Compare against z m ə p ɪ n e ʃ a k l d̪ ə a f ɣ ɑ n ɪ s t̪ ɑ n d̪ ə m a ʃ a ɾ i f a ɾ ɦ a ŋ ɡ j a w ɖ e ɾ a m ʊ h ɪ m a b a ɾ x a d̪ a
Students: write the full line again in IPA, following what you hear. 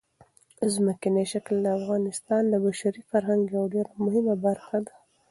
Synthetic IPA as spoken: z m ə k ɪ n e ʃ a k l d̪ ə a f ɣ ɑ n ɪ s t̪ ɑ n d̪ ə b a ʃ a ɾ i f a ɾ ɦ a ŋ ɡ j a w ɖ e ɾ a m ʊ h ɪ m a b a ɾ x a d̪ a